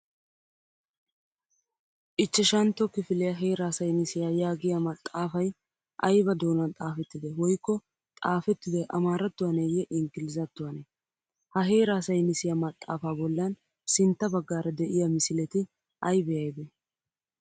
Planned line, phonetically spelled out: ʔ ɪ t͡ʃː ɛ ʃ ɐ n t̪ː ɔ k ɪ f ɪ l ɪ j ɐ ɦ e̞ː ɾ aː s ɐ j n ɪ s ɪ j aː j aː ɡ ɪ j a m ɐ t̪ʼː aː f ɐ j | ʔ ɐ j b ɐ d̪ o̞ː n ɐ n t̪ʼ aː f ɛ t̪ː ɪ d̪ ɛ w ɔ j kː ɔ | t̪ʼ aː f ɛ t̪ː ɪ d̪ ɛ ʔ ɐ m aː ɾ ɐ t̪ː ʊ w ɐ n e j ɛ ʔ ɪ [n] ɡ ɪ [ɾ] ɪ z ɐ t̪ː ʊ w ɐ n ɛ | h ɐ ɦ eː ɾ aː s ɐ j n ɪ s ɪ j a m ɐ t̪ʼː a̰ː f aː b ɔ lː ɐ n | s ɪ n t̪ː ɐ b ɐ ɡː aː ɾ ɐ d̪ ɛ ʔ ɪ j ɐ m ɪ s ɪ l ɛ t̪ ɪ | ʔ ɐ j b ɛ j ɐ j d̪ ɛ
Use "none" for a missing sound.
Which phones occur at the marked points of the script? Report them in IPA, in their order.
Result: ŋ, l

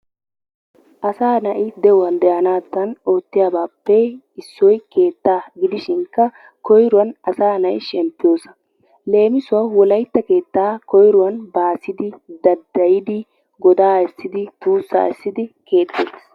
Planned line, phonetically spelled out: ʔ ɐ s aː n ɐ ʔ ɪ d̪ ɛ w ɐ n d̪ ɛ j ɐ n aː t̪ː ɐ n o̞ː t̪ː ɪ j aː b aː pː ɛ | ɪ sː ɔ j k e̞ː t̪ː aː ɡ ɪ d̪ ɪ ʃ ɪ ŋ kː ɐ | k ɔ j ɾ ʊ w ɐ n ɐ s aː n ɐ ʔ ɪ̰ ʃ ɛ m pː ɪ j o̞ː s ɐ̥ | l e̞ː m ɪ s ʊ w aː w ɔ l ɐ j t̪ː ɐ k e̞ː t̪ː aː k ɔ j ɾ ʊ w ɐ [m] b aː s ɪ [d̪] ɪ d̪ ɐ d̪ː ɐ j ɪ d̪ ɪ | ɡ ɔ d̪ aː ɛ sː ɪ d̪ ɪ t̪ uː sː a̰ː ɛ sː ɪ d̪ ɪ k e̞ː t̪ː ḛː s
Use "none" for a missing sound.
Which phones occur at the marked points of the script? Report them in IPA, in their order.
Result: n, d̪

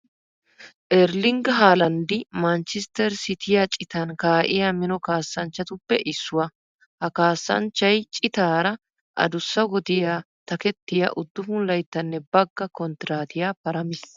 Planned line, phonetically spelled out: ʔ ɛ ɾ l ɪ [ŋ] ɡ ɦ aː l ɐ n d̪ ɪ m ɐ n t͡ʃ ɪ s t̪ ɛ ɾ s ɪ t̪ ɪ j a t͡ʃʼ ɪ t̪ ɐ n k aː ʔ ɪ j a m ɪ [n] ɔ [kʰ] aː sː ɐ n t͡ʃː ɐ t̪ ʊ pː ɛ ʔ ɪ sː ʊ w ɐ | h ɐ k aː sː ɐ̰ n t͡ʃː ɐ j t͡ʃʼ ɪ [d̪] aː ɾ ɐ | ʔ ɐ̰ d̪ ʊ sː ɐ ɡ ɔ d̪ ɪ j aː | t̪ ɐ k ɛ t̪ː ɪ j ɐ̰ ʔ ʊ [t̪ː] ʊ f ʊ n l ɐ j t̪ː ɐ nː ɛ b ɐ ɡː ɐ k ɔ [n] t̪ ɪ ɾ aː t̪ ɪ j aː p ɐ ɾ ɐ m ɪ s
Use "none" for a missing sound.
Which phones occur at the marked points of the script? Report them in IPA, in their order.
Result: ŋ, n, k, t̪, d̪ː, n

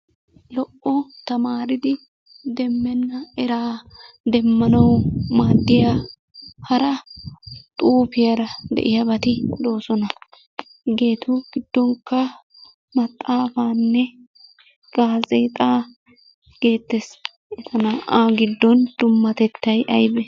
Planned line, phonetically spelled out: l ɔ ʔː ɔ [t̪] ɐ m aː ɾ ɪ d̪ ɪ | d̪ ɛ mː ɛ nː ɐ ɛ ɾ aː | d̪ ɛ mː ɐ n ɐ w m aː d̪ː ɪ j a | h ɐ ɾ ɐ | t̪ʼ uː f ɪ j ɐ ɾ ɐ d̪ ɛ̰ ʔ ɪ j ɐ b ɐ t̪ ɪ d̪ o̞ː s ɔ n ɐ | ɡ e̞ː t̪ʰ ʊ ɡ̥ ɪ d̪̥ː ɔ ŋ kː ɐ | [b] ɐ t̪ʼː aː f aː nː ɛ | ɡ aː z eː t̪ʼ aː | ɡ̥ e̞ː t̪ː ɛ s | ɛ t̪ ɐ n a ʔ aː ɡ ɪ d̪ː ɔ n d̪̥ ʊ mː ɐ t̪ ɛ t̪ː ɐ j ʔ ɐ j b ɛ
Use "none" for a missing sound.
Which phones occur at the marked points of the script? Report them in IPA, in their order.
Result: t̪, m

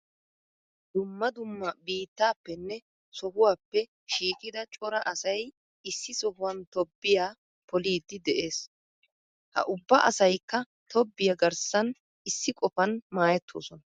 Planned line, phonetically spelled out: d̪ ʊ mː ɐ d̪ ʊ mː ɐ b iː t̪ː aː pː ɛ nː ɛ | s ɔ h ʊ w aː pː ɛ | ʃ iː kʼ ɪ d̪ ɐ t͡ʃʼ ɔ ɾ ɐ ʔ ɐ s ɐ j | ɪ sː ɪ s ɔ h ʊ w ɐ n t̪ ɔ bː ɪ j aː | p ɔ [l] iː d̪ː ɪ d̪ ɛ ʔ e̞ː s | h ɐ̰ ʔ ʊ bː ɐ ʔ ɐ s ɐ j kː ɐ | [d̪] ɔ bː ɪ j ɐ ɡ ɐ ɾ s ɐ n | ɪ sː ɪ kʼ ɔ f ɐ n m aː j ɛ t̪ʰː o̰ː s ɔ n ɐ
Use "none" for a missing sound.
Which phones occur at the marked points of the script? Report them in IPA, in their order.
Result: l, t̪

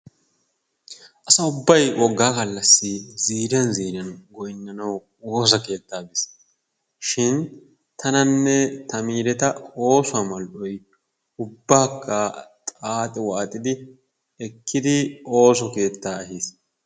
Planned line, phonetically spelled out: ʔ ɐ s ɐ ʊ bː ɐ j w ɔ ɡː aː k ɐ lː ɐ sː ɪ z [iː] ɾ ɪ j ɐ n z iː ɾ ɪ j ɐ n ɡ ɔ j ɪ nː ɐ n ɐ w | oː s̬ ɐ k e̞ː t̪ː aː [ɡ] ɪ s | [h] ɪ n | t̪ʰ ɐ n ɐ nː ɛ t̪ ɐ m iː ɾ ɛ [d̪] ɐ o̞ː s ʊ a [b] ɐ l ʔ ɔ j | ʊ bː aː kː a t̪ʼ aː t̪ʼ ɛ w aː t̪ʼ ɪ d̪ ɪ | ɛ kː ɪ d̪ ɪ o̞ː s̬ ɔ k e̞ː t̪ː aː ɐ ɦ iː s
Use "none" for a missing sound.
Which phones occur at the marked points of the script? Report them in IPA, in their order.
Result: iː, b, ʃ, t̪, m

